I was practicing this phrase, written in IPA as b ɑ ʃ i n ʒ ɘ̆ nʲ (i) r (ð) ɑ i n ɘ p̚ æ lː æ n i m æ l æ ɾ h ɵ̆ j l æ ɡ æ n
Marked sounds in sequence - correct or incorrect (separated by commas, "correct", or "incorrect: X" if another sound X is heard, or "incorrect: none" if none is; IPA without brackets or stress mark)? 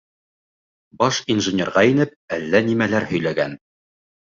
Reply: incorrect: e, incorrect: ʁ